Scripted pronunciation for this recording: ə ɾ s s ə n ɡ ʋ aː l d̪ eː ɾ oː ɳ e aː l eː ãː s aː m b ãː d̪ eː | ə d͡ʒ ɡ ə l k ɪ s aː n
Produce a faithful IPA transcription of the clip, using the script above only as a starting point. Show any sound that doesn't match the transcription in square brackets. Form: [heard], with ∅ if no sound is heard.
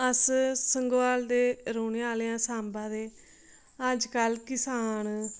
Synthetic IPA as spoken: ə [∅] s s ə [ŋ] ɡ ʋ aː l d̪ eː ɾ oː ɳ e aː l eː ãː s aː m b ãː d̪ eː | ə d͡ʒ [k] ə l k ɪ s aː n